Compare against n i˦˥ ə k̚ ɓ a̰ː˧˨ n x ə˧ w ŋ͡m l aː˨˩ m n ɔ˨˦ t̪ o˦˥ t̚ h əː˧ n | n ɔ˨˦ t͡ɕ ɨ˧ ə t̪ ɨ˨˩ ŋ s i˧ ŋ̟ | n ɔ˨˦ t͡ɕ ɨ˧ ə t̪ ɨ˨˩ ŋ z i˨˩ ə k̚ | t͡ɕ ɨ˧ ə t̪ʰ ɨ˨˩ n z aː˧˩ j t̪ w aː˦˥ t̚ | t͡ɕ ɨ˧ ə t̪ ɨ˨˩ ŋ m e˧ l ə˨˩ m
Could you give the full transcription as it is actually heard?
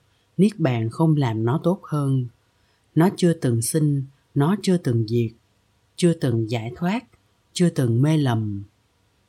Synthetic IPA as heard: n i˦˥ ə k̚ ɓ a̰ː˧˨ n x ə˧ w ŋ͡m l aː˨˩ m n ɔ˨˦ t̪ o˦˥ t̚ h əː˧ n | n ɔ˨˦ t͡ɕ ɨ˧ ə t̪ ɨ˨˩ ŋ s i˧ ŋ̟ | n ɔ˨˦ t͡ɕ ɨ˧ ə t̪ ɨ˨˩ ŋ z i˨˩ ə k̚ | t͡ɕ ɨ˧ ə t̪ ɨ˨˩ ŋ z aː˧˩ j t̪ʰ w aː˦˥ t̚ | t͡ɕ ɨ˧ ə t̪ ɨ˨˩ ŋ m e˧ l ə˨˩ m